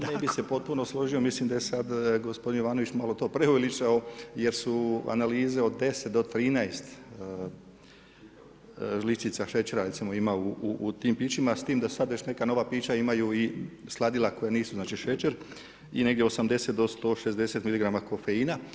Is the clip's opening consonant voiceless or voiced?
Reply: voiced